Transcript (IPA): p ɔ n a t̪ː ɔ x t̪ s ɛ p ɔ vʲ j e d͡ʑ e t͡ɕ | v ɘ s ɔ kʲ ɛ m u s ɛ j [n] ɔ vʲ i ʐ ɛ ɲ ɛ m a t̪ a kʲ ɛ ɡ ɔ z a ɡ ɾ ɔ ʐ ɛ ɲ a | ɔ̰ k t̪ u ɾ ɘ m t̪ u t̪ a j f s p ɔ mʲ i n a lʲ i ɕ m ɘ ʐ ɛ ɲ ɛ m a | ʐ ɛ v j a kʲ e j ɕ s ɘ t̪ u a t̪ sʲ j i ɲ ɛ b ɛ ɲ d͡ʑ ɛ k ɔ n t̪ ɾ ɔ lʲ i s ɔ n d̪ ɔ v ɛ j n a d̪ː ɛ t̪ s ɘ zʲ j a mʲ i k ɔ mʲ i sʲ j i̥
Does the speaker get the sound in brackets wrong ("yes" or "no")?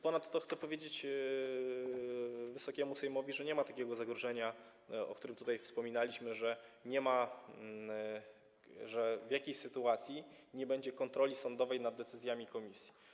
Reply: yes